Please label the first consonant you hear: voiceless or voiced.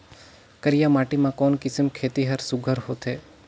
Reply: voiceless